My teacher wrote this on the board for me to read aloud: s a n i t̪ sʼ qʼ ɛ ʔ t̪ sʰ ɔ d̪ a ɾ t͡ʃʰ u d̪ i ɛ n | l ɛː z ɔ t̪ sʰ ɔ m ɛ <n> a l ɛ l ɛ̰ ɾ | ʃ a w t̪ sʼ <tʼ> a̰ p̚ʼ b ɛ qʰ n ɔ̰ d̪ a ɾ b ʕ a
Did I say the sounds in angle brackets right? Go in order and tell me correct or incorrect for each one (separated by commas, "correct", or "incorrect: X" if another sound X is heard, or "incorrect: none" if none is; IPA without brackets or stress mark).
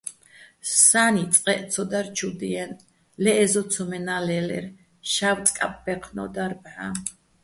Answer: correct, incorrect: kʼ